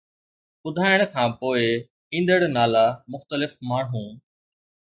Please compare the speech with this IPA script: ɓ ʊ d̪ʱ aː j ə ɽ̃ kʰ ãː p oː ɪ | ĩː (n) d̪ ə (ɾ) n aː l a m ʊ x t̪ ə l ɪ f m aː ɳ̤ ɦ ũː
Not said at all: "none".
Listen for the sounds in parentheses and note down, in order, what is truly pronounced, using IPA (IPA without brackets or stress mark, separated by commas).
n, ɽ